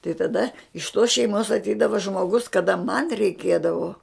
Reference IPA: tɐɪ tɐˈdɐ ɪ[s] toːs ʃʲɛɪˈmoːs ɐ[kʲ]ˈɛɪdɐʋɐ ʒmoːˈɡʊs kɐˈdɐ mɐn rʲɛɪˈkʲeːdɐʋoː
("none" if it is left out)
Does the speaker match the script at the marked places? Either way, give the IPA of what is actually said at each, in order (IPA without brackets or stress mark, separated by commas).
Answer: ʃ, tʲ